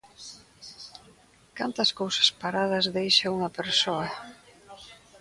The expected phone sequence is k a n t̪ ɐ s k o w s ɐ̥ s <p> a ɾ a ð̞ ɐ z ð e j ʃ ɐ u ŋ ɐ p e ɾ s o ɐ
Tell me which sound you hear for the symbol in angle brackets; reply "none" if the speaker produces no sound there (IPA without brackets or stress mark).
p